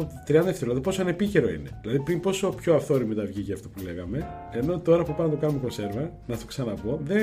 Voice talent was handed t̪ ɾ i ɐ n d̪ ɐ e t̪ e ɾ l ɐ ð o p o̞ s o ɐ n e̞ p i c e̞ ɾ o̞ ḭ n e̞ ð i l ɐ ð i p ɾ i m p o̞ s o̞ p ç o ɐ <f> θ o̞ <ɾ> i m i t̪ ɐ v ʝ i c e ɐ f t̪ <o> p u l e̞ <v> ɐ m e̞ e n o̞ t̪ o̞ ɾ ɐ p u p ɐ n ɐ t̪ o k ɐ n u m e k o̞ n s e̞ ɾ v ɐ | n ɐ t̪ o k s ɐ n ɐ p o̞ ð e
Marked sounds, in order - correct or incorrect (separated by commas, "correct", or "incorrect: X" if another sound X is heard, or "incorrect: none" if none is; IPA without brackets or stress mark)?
correct, correct, correct, incorrect: ɣ